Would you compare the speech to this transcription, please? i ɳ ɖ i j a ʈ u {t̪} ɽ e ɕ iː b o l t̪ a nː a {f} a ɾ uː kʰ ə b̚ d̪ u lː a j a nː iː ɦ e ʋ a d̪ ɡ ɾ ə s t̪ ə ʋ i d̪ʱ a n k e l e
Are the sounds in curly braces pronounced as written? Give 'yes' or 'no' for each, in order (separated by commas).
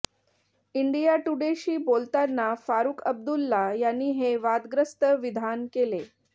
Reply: no, yes